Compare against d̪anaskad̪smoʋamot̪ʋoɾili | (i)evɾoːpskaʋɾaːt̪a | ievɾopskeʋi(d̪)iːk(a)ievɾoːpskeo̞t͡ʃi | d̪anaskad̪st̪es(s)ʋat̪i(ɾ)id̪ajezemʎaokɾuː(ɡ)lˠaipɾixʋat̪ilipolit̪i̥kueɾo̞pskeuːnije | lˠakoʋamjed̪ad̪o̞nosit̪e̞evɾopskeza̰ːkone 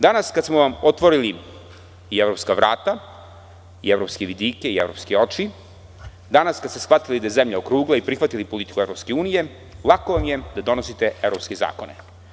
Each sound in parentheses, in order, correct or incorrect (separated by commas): correct, correct, incorrect, incorrect, incorrect, correct